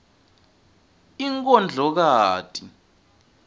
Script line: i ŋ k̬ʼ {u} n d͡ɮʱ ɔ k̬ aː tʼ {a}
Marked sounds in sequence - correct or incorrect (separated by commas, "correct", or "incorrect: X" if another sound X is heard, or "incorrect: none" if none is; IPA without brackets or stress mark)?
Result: incorrect: ɔ, incorrect: i